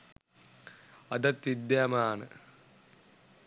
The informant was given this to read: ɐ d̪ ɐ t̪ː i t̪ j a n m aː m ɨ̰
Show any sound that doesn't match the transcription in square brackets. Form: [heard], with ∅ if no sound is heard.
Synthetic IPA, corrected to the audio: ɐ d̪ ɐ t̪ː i [d̪] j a [∅] m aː [n] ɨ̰